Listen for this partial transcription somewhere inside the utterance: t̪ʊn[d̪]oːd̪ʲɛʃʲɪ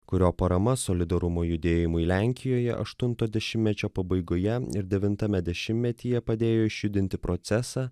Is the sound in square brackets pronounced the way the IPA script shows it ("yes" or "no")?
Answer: no